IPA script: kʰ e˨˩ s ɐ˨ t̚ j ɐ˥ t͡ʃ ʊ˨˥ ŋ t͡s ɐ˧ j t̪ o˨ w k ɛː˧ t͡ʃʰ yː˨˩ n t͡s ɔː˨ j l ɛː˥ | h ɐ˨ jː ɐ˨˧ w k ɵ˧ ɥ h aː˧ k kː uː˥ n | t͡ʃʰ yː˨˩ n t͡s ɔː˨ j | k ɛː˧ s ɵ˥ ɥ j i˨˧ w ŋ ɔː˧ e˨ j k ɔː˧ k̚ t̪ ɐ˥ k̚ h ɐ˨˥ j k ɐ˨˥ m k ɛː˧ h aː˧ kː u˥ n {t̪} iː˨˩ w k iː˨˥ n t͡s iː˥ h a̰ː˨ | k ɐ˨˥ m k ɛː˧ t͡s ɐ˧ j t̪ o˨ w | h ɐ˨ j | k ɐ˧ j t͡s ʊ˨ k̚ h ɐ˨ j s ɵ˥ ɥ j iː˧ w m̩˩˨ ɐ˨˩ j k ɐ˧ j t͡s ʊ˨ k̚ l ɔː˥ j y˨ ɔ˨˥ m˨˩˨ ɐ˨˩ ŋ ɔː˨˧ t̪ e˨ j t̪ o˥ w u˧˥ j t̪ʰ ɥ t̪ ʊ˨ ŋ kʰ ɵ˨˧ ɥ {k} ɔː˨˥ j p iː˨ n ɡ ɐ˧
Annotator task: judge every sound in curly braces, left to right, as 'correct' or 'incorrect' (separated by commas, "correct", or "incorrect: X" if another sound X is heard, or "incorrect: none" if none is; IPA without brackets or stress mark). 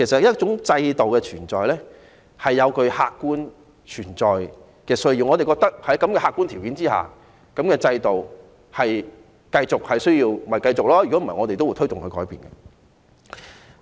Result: incorrect: t̪ʰ, correct